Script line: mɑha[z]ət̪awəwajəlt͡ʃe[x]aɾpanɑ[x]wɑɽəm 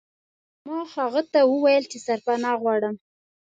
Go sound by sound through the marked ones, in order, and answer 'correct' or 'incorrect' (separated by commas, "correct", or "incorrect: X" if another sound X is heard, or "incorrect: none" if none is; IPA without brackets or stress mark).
incorrect: ɣ, incorrect: s, incorrect: ɣ